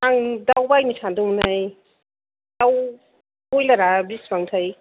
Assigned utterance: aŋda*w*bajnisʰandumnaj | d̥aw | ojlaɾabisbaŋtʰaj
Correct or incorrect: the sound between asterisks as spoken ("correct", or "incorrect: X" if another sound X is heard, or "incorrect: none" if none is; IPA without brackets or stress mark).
correct